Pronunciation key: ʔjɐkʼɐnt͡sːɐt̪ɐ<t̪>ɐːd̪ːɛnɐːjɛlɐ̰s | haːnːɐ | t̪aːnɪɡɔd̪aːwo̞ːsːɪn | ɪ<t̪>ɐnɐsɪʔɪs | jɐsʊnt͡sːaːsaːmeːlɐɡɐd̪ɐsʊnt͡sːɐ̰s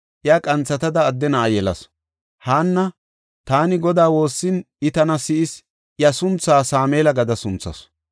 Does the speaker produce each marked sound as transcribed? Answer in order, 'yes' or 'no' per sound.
no, yes

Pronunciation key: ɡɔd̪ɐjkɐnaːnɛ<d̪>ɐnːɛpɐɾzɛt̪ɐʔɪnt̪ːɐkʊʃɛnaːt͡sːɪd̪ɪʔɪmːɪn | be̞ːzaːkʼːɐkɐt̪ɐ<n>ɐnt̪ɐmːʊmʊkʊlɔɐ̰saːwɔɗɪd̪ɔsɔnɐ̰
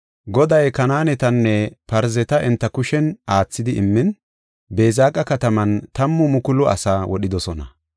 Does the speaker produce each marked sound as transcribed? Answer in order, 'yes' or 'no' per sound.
no, no

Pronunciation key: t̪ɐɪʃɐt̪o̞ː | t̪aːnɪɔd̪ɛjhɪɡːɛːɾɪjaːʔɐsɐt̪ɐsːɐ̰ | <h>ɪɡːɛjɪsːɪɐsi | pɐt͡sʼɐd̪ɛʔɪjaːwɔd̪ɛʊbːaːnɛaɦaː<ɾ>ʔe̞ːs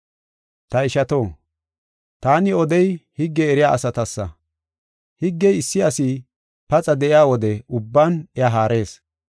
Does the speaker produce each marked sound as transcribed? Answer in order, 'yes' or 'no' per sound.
yes, yes

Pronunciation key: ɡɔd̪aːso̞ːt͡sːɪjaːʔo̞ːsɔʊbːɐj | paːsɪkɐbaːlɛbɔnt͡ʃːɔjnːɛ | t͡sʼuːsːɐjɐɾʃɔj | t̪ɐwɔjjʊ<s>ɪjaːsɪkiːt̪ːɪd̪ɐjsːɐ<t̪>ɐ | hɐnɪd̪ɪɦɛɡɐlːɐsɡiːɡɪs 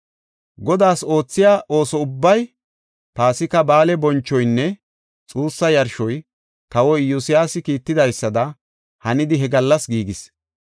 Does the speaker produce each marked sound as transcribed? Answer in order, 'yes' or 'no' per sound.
yes, no

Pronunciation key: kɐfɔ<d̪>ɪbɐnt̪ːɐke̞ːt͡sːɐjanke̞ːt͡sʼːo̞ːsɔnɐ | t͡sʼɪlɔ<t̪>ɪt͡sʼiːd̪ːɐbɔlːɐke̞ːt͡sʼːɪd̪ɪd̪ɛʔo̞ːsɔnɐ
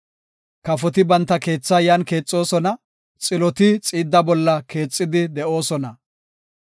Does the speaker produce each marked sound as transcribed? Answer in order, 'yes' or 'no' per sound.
no, yes

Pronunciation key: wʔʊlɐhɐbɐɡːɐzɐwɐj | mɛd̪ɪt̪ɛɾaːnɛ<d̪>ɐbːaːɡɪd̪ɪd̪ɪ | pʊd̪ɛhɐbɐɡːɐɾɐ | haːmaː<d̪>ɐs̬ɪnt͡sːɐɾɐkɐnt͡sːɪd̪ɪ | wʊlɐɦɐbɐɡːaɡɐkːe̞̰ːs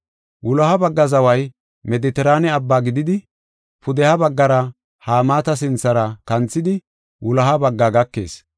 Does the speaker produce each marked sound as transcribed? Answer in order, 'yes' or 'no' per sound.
no, no

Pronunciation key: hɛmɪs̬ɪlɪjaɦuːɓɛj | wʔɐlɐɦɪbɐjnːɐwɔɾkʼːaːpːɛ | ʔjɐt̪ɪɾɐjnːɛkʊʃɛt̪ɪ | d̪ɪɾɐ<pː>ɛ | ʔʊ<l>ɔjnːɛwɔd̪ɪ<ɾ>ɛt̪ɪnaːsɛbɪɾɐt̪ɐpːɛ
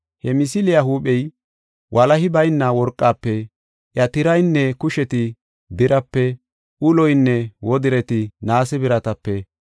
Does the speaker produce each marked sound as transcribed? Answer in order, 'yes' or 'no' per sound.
yes, yes, yes

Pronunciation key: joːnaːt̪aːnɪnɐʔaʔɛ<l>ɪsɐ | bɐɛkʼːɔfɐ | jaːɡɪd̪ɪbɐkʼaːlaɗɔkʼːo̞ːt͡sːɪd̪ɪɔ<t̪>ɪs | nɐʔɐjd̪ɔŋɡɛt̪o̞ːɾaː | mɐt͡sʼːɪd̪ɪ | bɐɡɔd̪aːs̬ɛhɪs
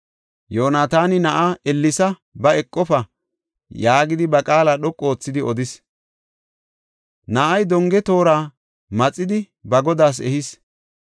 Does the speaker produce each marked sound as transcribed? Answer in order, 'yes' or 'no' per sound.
no, no

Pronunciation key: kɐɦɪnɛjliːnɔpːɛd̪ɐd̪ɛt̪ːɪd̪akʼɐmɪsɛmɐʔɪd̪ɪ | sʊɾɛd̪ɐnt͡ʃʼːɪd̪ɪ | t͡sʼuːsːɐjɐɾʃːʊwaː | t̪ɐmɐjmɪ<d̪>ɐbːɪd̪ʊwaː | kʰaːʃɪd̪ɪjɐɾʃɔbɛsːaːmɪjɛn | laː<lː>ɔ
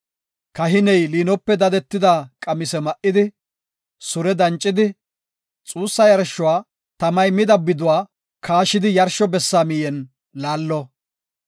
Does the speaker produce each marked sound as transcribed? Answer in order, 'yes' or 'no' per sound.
yes, yes

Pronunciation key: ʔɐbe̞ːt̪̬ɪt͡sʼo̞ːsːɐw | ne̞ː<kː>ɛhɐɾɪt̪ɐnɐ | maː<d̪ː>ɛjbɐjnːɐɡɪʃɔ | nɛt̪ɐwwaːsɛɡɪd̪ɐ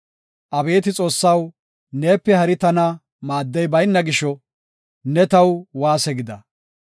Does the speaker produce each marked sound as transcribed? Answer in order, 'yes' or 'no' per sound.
no, yes

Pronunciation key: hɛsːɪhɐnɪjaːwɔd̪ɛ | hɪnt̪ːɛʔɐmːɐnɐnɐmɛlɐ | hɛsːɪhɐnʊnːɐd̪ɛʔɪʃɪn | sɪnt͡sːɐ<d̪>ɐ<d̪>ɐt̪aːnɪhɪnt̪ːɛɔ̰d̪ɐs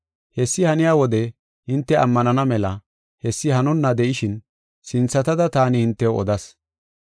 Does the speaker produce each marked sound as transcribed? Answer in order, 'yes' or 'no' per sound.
no, yes

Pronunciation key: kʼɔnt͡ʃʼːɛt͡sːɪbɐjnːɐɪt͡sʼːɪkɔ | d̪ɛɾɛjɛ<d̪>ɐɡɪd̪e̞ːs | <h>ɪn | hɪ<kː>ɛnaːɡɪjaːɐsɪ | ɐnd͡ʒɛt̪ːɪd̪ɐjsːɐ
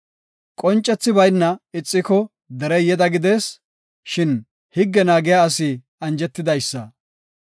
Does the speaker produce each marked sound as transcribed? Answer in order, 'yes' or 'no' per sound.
yes, no, no

